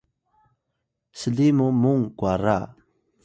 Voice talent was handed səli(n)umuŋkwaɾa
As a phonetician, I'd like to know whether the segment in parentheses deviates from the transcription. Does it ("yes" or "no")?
yes